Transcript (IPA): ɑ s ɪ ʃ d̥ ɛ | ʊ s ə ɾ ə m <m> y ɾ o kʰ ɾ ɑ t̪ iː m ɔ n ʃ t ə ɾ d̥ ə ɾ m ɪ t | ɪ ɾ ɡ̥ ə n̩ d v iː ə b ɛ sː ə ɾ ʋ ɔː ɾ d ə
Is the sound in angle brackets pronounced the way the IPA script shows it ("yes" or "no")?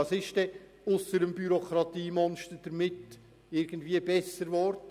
no